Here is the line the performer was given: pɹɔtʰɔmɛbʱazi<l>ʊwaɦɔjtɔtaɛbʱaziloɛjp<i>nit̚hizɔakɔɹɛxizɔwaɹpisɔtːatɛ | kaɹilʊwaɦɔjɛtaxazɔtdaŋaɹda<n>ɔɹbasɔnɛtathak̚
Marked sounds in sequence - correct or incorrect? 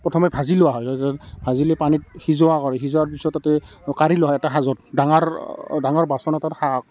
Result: correct, incorrect, incorrect

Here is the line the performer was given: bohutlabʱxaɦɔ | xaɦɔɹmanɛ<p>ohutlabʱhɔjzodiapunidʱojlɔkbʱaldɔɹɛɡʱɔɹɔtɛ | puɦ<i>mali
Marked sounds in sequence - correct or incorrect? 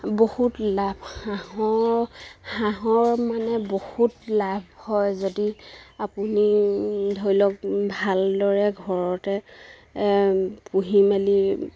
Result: incorrect, correct

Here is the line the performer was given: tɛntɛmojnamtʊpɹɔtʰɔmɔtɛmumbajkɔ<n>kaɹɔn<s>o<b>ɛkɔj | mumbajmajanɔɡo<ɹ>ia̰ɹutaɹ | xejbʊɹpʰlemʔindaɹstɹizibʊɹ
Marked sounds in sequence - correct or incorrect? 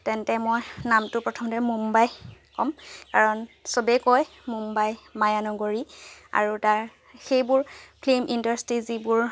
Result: incorrect, correct, correct, correct

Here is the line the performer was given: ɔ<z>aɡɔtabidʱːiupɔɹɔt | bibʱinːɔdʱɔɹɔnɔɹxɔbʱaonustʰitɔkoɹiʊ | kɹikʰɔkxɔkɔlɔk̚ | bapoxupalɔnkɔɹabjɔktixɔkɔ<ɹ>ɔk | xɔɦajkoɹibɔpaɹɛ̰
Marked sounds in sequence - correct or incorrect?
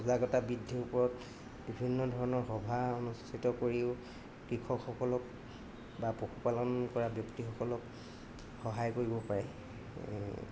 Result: correct, incorrect

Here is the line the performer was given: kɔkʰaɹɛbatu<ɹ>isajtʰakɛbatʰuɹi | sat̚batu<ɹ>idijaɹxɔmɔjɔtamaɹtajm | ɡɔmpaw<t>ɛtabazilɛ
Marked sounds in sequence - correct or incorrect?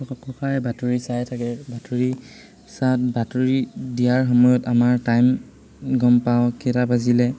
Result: correct, correct, incorrect

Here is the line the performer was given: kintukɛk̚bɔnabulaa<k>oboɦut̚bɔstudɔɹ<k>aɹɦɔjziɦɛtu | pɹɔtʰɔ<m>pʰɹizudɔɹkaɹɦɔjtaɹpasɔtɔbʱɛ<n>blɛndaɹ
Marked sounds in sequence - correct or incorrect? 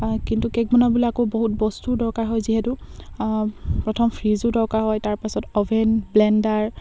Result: correct, correct, correct, correct

